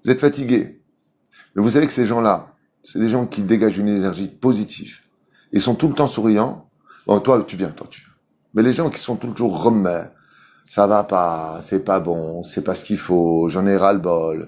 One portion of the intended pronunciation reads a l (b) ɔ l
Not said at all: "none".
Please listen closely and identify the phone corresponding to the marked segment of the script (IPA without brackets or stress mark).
b